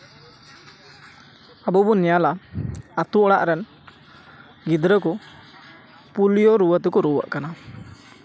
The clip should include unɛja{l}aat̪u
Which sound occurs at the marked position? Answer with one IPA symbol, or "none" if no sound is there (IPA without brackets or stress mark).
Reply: l